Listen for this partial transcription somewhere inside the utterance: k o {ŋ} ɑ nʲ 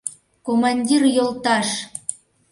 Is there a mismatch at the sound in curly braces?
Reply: yes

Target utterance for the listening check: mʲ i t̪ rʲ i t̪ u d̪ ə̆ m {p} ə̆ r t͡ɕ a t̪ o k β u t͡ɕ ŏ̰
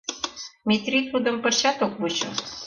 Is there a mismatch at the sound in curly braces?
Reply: no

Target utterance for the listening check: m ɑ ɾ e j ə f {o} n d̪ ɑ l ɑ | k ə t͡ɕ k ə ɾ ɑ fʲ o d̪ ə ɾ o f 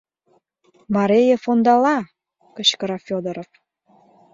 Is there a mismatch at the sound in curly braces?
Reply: no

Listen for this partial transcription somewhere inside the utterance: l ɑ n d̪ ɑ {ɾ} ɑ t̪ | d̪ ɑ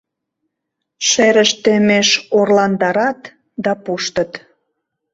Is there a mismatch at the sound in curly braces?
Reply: no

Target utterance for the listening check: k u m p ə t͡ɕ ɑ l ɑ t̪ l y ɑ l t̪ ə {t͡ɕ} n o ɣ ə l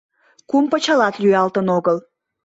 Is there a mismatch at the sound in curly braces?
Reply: yes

